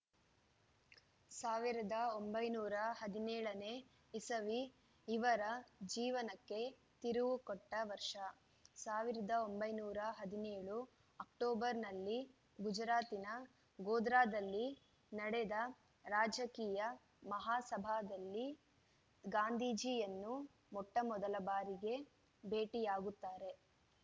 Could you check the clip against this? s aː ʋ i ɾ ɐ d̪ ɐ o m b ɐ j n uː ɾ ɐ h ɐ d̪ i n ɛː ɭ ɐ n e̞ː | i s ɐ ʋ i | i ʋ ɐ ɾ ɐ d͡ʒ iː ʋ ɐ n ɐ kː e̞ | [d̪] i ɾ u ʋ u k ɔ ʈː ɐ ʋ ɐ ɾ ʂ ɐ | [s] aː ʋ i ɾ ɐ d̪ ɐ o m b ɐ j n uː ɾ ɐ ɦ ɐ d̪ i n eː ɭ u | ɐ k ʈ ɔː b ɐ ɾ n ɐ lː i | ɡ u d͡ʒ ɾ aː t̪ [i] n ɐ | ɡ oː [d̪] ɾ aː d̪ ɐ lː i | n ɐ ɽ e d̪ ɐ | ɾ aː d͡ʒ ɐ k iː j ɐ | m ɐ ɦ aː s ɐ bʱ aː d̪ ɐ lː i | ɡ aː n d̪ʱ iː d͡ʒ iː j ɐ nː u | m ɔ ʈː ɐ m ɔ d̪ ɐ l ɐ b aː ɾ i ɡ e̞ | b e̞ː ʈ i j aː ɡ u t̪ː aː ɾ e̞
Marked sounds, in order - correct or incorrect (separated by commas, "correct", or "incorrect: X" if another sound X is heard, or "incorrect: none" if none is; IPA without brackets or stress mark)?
incorrect: t̪, correct, correct, correct